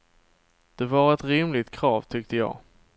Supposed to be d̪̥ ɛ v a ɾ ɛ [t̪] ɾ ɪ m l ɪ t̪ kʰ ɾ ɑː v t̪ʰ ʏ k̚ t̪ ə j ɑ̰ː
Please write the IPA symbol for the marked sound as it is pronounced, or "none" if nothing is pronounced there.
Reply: t̪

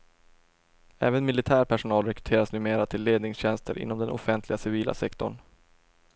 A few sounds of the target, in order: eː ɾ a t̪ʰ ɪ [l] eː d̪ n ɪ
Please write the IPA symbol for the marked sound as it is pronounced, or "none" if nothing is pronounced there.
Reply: lː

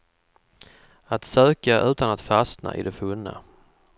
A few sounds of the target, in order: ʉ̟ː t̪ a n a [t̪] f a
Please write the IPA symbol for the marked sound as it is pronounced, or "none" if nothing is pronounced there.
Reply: t̪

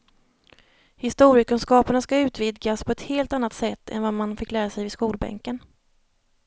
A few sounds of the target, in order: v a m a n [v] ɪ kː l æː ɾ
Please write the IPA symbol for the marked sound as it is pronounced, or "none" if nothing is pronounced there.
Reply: f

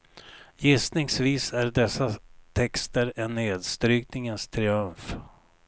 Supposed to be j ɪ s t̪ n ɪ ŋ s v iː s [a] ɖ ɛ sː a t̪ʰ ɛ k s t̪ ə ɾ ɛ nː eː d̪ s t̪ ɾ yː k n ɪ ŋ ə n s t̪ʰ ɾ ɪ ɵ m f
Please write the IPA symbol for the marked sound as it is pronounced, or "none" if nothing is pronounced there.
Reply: æ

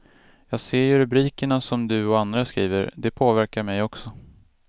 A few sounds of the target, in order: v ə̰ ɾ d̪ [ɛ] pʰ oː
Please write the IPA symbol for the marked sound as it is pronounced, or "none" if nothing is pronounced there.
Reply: ɛ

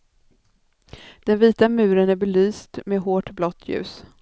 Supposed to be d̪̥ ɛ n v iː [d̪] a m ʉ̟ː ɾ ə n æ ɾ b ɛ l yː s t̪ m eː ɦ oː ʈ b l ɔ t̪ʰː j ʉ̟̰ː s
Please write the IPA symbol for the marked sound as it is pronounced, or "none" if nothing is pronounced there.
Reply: t̪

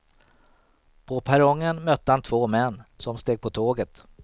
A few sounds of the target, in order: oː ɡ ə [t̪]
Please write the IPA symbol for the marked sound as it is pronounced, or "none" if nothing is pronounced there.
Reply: t̪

